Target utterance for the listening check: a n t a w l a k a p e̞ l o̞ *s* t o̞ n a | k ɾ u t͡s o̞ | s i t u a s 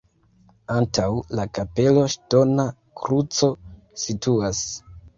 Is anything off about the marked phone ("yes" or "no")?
yes